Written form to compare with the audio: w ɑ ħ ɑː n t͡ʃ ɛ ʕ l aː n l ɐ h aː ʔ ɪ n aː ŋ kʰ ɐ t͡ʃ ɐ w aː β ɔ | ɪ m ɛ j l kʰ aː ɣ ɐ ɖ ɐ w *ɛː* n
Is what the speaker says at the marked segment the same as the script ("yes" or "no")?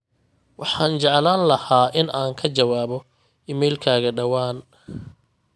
no